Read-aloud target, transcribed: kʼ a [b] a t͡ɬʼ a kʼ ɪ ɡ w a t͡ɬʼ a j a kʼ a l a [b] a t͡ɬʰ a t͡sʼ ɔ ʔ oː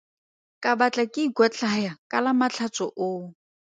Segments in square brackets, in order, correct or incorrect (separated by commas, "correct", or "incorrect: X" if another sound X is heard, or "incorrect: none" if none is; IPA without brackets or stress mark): correct, incorrect: m